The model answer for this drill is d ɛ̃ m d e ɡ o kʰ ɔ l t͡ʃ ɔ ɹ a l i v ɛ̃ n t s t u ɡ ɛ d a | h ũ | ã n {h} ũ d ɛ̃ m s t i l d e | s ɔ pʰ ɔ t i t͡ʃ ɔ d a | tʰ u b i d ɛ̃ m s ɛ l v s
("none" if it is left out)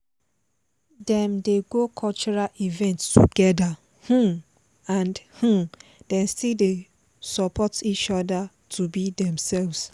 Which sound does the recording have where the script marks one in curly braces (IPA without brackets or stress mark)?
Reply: h